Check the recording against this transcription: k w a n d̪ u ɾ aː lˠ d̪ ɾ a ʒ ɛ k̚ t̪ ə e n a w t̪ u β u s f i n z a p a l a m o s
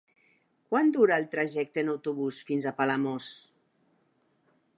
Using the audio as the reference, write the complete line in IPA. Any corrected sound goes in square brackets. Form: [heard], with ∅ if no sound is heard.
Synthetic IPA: k w a n d̪ u ɾ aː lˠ [t̪] ɾ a ʒ ɛ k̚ t̪ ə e n a w t̪ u β u s f i n z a p a l a m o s